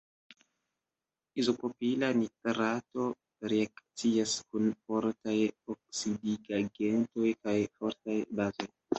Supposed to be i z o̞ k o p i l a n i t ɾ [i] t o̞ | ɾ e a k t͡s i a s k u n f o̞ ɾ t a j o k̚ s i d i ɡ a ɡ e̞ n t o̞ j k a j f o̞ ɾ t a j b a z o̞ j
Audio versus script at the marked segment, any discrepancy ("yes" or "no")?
yes